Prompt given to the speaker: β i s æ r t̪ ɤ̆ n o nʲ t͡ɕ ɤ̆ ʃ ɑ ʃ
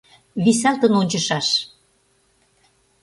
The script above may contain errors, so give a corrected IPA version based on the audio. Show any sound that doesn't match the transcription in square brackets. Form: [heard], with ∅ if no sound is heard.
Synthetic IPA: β i s æ [l] t̪ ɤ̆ n o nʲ t͡ɕ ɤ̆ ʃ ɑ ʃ